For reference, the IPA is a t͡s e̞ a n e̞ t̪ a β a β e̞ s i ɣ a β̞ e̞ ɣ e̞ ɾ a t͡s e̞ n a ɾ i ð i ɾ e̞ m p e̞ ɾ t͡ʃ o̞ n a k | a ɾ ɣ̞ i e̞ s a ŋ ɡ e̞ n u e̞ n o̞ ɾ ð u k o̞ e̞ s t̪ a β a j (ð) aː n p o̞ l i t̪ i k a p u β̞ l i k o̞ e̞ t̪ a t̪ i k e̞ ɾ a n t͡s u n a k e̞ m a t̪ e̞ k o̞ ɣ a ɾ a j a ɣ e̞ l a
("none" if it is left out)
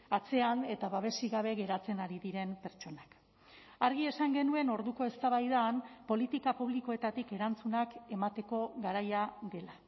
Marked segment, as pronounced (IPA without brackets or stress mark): ð